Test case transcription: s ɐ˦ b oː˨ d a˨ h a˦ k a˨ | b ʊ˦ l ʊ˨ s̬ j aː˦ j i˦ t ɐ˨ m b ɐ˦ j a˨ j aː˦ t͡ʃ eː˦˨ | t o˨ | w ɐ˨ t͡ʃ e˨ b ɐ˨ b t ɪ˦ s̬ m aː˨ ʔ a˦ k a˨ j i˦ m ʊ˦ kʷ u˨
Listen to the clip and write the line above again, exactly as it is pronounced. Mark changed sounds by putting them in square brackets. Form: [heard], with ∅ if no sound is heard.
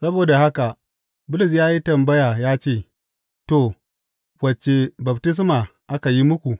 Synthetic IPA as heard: s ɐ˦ b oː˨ d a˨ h a˦ k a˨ | b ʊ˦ l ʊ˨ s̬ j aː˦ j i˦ t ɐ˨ m b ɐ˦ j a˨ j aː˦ t͡ʃ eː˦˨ | t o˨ | w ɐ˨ t͡ʃ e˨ b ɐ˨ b t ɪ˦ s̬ m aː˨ ʔ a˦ k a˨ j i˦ m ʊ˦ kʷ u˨